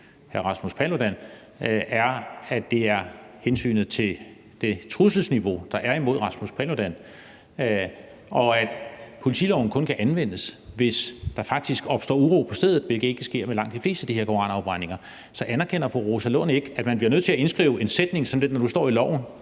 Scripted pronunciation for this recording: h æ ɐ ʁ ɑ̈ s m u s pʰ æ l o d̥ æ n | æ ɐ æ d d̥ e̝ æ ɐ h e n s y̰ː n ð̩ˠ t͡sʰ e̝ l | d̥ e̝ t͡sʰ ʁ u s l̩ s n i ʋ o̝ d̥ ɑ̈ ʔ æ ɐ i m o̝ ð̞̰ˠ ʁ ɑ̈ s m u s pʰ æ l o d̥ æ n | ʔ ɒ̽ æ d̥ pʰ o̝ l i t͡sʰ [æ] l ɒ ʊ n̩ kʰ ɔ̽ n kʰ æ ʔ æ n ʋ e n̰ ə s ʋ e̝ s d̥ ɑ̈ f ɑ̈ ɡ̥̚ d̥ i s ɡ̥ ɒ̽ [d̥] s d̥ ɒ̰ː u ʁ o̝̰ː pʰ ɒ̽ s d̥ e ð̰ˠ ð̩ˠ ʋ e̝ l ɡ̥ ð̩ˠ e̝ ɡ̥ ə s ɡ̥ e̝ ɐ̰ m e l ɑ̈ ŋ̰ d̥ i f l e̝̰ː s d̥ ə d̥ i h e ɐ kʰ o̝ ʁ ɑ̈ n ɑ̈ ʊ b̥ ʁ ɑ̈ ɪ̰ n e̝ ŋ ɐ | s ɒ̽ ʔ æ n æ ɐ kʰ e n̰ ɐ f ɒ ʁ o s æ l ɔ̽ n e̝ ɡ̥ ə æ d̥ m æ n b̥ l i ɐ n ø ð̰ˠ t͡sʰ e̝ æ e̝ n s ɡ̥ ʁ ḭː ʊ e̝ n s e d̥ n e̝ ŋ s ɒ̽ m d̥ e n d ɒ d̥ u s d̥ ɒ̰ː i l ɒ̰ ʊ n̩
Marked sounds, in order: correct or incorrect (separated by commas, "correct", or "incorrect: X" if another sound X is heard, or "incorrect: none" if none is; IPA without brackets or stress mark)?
incorrect: i, incorrect: b̥